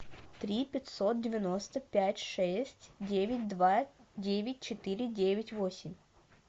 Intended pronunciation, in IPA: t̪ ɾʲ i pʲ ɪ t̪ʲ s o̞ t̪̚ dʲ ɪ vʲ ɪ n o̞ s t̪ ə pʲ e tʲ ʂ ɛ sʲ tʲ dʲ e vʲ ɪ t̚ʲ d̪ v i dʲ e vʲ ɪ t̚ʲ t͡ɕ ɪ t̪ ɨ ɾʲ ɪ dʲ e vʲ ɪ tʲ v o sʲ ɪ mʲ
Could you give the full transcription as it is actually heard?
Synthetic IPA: t̪ ɾʲ i pʲ ɪ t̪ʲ s o̞ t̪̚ dʲ ɪ vʲ ɪ n o̞ s t̪ ə pʲ æ tʲ ʂ ɛ sʲ tʲ dʲ e vʲ ɪ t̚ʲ d̪ v a dʲ e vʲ ɪ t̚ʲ t͡ɕ ɪ t̪ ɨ ɾʲ ɪ dʲ e vʲ ɪ tʲ v o sʲ ɪ mʲ